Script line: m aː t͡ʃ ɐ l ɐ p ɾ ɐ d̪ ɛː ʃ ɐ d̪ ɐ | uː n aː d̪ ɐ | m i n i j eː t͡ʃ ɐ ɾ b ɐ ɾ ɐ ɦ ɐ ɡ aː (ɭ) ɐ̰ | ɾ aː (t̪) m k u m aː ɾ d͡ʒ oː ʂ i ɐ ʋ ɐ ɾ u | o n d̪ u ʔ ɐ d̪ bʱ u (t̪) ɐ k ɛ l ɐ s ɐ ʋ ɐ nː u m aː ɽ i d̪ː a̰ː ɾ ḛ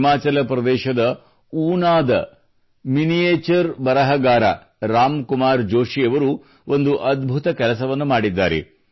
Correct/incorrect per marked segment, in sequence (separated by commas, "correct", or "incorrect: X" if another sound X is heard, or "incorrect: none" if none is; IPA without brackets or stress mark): incorrect: ɾ, incorrect: none, correct